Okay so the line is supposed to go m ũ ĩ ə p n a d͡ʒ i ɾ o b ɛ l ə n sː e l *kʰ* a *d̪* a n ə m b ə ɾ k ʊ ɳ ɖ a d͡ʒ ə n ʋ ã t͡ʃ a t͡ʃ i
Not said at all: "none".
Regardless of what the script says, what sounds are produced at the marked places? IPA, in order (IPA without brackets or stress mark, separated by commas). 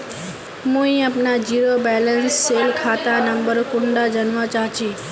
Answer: kʰ, t̪